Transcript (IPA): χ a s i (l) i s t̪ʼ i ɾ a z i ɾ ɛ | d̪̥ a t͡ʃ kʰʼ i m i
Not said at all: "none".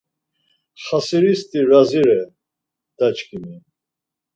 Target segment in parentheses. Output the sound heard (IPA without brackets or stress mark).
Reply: ɾ